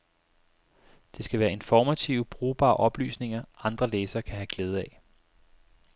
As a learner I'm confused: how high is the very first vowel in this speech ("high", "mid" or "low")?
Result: mid